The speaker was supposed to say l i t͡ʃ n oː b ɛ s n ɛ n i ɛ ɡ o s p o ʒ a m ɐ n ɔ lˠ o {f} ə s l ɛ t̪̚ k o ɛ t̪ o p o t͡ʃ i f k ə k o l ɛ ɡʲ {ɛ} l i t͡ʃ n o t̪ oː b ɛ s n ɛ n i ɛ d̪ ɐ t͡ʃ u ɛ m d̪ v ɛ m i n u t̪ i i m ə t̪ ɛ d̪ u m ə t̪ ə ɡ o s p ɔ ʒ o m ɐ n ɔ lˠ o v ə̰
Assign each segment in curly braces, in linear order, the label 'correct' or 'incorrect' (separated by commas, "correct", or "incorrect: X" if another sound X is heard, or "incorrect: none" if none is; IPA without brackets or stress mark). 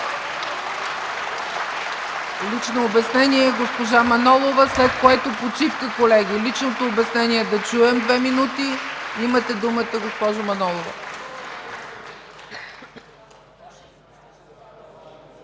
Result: incorrect: v, incorrect: i